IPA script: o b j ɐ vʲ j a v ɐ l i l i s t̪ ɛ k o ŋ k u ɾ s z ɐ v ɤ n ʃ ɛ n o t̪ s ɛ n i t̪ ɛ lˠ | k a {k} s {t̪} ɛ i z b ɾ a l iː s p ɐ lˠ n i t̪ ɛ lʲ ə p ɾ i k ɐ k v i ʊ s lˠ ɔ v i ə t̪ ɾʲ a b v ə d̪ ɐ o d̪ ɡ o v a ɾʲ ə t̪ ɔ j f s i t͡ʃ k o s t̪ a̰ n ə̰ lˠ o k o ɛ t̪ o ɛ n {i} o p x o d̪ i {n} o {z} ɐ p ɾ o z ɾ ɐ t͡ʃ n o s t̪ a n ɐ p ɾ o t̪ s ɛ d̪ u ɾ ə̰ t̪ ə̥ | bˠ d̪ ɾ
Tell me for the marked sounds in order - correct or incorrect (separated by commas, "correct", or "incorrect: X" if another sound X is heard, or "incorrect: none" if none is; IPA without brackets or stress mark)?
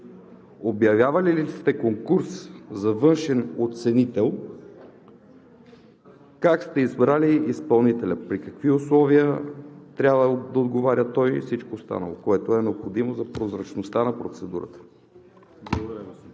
correct, correct, incorrect: ɛ, incorrect: m, correct